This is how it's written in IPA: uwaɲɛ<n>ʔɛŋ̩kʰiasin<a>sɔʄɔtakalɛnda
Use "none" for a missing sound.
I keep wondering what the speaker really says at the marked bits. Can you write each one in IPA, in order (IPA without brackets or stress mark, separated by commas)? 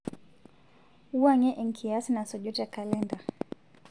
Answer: none, a